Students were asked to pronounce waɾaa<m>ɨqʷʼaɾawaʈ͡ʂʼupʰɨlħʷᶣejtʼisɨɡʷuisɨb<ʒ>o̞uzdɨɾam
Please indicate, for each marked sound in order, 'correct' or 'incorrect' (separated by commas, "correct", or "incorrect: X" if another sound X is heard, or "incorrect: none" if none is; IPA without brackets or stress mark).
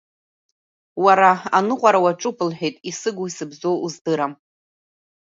incorrect: n, incorrect: z